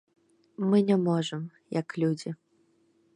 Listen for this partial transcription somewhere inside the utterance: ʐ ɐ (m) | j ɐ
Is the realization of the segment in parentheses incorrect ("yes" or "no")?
no